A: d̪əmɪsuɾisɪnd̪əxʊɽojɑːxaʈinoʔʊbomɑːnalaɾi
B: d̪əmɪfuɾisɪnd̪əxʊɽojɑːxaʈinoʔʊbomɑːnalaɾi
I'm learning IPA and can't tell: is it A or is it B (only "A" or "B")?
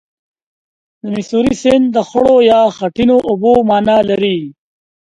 A